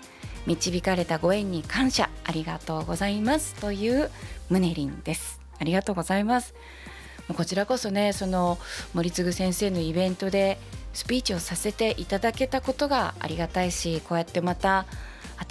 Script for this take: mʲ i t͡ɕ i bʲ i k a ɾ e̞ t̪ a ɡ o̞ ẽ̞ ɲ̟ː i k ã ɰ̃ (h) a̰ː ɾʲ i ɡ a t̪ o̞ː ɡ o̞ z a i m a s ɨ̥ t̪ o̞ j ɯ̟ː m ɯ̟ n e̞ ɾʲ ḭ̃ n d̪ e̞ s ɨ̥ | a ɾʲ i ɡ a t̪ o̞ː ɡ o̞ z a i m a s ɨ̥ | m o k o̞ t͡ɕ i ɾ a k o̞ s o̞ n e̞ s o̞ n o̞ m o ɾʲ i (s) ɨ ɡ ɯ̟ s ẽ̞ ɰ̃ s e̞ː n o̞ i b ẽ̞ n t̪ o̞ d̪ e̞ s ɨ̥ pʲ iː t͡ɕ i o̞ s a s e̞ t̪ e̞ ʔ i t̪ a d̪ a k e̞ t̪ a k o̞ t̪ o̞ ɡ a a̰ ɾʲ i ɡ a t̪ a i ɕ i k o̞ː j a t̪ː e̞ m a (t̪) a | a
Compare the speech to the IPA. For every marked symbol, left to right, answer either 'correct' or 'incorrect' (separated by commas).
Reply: incorrect, incorrect, correct